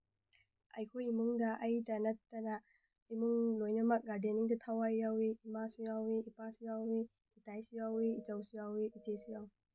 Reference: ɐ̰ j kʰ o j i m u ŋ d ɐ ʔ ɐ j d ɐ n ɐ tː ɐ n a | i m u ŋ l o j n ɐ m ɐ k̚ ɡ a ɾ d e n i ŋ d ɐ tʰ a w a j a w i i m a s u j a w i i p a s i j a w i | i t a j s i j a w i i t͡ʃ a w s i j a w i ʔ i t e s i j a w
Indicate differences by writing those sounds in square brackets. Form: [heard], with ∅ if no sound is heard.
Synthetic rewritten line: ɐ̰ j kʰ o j i m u ŋ d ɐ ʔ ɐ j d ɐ n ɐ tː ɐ n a | i m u ŋ l o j n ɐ m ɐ k̚ ɡ a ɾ d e n i ŋ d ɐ tʰ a w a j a w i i m a s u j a w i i p a s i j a w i | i t a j s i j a w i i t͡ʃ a w s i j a w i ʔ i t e s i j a w